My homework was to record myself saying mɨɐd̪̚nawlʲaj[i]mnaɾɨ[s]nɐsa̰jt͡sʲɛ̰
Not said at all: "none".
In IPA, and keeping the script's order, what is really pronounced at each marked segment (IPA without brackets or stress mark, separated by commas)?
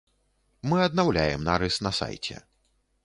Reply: ɛ, s